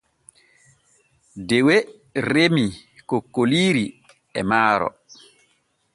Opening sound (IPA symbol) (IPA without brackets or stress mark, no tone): d